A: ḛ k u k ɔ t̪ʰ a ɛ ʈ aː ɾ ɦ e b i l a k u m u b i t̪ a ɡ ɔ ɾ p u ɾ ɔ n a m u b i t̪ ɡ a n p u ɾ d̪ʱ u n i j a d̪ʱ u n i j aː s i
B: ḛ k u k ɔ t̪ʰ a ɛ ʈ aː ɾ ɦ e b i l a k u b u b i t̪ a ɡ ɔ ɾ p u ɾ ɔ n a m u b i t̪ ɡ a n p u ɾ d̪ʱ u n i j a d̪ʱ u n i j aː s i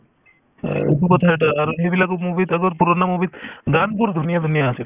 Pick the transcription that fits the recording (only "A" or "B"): A